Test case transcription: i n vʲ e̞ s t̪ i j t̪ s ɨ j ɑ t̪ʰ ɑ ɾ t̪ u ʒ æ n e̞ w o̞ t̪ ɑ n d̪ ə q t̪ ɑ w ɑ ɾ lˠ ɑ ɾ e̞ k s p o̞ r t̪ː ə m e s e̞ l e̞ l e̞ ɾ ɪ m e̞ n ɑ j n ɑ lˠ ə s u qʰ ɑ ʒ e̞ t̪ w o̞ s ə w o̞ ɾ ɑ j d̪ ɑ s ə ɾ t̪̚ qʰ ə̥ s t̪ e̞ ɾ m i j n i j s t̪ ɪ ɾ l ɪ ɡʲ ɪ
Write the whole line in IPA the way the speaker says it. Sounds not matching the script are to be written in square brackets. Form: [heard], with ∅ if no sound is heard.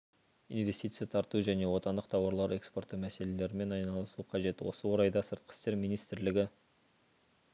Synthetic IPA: i n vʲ e̞ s t̪ i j t̪ s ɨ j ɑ t̪ʰ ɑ ɾ t̪ u ʒ æ n e̞ w o̞ t̪ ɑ n d̪ ə q [t̪ʰ] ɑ w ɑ ɾ lˠ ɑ ɾ e̞ k s p o̞ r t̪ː ə m [æ] s e̞ l e̞ l e̞ ɾ ɪ m e̞ n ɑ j n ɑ lˠ ə s u qʰ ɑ ʒ e̞ t̪ w o̞ s ə w o̞ ɾ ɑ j d̪ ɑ s ə ɾ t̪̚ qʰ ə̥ s t̪ e̞ ɾ m i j n i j s t̪ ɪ ɾ l ɪ ɡʲ ɪ

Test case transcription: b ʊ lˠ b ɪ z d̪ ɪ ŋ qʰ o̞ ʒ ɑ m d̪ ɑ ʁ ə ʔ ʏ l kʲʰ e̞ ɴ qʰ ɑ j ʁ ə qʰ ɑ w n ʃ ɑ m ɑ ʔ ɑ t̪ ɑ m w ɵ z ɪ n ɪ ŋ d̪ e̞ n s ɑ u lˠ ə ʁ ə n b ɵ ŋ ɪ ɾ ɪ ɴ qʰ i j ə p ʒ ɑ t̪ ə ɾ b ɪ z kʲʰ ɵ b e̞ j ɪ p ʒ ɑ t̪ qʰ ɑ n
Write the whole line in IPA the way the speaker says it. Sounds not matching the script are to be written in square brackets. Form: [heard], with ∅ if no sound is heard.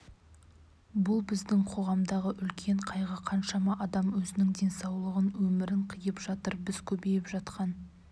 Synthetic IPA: b ʊ lˠ b ɪ z d̪ ɪ ŋ qʰ o̞ [ʁ] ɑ m d̪ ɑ ʁ ə ʔ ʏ l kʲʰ e̞ ɴ qʰ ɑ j ʁ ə qʰ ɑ [∅] n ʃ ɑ m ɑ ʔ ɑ [d̪] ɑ m w ɵ z ɪ n ɪ ŋ d̪ e̞ n s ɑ [w] lˠ ə ʁ ə n [w] ɵ [m] ɪ ɾ ɪ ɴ qʰ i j ə p ʒ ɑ t̪ ə ɾ b ɪ z kʲʰ ɵ b e̞ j ɪ p ʒ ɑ t̪ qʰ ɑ n

